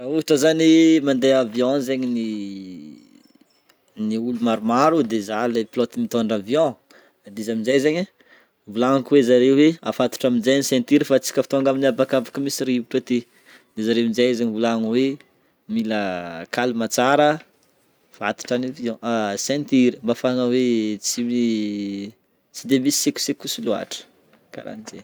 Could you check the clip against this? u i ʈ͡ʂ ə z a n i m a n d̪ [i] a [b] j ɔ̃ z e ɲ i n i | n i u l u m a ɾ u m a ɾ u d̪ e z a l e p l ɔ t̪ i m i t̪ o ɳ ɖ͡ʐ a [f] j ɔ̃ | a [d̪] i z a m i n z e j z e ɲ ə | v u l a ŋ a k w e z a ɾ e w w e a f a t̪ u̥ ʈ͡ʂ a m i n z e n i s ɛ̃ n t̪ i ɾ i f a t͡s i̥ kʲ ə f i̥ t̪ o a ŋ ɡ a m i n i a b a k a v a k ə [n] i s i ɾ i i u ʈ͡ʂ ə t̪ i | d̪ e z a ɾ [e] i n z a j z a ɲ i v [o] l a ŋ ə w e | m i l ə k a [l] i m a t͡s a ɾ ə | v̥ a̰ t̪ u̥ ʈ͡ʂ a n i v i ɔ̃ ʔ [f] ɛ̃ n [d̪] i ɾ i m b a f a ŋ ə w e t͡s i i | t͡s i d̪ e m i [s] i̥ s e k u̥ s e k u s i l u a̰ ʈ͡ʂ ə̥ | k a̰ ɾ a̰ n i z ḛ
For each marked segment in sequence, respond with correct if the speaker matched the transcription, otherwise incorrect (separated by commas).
incorrect, incorrect, incorrect, correct, incorrect, correct, incorrect, correct, incorrect, incorrect, correct